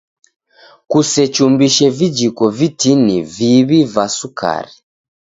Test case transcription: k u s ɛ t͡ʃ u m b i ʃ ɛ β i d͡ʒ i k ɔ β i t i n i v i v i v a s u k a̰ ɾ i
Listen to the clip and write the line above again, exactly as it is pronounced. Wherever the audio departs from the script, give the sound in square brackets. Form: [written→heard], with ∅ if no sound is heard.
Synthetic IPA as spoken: k u s ɛ t͡ʃ u m b i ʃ ɛ [β→v] i d͡ʒ i k ɔ [β→v] i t i n i v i [v→β] i v a s u k a̰ ɾ i